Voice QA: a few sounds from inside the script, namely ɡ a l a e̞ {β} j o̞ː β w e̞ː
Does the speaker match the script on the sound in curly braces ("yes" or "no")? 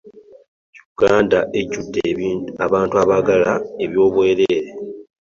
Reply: yes